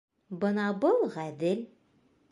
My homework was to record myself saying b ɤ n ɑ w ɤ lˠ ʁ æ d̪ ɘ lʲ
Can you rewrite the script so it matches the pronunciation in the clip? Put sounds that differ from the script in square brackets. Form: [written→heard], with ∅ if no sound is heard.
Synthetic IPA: b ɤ n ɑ [w→b] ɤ lˠ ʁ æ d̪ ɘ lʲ

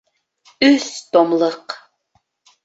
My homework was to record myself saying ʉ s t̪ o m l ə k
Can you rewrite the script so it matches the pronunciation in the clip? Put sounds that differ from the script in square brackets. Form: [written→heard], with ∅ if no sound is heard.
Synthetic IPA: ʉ s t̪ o m l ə [k→q]

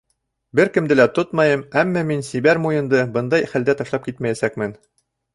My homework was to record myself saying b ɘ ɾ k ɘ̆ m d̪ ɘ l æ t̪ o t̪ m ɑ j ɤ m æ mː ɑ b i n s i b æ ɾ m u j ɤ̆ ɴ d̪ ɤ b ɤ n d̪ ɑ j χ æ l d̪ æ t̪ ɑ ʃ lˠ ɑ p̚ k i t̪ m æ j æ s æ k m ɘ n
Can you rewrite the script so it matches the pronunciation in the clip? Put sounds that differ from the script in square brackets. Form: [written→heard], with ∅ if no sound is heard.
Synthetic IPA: b ɘ ɾ k ɘ̆ m d̪ ɘ l æ t̪ o t̪ m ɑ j ɤ m æ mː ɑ [b→m] i n s i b æ ɾ m u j ɤ̆ [ɴ→n] d̪ ɤ b ɤ n d̪ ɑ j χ æ l d̪ æ t̪ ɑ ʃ lˠ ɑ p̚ k i t̪ m æ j æ s æ k m ɘ n

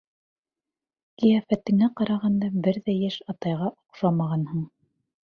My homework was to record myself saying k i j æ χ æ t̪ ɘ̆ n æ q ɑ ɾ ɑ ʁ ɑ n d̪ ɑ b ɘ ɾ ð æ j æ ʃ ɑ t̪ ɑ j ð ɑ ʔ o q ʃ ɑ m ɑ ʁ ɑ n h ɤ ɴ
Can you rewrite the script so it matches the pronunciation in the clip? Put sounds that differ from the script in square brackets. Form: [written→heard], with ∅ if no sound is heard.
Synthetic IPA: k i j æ [χ→f] æ t̪ ɘ̆ [n→ŋ] æ q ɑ ɾ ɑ ʁ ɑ n d̪ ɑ b ɘ ɾ ð æ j æ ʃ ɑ t̪ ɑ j [ð→ʁ] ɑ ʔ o q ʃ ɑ m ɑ ʁ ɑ n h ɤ ɴ

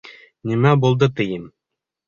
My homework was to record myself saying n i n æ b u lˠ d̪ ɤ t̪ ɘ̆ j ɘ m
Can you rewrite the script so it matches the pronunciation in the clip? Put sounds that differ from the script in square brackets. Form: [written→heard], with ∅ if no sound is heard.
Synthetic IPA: n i [n→m] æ b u lˠ d̪ ɤ t̪ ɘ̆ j ɘ m

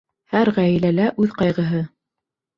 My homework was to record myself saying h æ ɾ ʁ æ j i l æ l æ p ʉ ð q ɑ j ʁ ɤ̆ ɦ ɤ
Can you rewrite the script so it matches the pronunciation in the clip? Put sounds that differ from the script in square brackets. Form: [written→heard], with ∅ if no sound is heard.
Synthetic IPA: h æ ɾ ʁ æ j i l æ l æ [p→ʔ] ʉ ð q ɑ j ʁ ɤ̆ ɦ ɤ

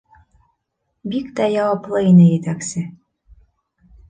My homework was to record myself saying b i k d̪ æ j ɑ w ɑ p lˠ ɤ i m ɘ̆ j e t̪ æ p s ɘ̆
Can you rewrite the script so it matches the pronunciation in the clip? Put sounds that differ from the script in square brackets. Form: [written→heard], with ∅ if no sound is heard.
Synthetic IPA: b i k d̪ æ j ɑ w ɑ p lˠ ɤ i [m→n] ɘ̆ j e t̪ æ [p→k] s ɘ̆

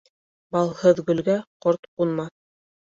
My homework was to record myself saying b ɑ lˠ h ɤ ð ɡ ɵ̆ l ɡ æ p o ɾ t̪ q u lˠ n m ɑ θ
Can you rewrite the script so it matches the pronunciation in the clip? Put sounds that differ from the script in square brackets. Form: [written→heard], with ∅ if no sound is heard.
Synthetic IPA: b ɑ lˠ h ɤ ð ɡ ɵ̆ l ɡ æ [p→q] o ɾ t̪ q u [lˠ→∅] n m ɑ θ

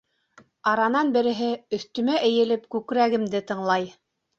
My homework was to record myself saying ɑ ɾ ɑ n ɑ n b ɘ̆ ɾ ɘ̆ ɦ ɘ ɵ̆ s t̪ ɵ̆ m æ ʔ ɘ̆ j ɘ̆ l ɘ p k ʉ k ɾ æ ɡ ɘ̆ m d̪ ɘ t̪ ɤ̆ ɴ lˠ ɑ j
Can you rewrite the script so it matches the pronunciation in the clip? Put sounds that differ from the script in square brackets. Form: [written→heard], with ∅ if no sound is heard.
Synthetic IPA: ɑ ɾ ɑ n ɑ n b ɘ̆ ɾ ɘ̆ ɦ ɘ ɵ̆ [s→θ] t̪ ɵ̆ m æ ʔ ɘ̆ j ɘ̆ l ɘ p k ʉ k ɾ æ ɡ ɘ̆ m d̪ ɘ t̪ ɤ̆ ɴ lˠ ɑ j

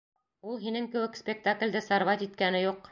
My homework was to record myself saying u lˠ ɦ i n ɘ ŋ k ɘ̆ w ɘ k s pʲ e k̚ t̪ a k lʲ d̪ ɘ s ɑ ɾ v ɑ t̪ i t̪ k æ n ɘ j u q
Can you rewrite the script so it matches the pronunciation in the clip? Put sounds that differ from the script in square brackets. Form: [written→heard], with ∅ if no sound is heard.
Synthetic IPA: u lˠ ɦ i n ɘ ŋ k ɘ̆ w ɘ k s pʲ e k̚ t̪ a k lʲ d̪ ɘ s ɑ ɾ v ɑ t̪ i t̪ k æ n ɘ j u q

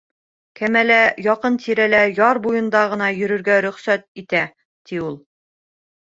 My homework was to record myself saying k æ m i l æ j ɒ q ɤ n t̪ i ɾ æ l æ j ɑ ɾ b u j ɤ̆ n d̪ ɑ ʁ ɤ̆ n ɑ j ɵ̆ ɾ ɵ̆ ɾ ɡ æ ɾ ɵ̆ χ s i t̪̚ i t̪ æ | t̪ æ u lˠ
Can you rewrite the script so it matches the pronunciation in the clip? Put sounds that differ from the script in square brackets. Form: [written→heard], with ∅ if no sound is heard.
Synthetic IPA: k æ m [i→æ] l æ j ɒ q ɤ n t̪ i ɾ æ l æ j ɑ ɾ b u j ɤ̆ n d̪ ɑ ʁ ɤ̆ n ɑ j ɵ̆ ɾ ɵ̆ ɾ ɡ æ ɾ ɵ̆ χ s [i→æ] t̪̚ i t̪ æ | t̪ [æ→i] u lˠ

